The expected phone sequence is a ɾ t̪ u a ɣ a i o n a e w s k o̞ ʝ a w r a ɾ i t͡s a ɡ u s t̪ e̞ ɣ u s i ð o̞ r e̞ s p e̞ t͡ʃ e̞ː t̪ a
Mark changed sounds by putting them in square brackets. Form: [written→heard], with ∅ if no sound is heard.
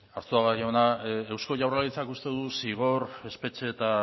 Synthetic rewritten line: a ɾ t̪ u a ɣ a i o n a e w s k o̞ ʝ a w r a [ɾ→l] i t͡s a [ɡ→k] u s t̪ e̞ [ɣ→ð] u s i [ð→ɣ] o̞ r e̞ s p e̞ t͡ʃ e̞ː t̪ a